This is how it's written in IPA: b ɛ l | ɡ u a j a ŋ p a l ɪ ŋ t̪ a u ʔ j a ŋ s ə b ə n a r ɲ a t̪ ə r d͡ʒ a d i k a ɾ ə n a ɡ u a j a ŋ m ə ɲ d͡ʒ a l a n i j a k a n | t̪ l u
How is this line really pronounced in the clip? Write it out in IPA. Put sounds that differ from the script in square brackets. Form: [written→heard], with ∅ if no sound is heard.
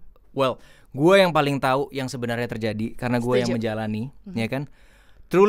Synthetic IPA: [b→w] ɛ l | ɡ u a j a ŋ p a l ɪ ŋ t̪ a u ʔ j a ŋ s ə b ə n a r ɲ a t̪ ə r d͡ʒ a d i k a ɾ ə n a ɡ u a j a ŋ m ə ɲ d͡ʒ a l a n i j a k a n | t̪ [l→ɾ] u